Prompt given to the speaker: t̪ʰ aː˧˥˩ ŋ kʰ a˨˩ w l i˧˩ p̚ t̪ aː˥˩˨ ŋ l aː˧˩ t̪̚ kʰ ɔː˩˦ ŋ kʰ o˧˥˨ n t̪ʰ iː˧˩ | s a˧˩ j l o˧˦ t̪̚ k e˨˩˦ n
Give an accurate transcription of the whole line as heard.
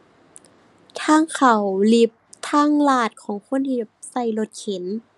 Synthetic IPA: t̪ʰ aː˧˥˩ ŋ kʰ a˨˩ w l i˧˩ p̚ t̪ʰ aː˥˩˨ ŋ l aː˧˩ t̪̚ kʰ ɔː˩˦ ŋ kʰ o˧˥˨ n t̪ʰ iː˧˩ | s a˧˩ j l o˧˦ t̪̚ kʰ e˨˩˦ n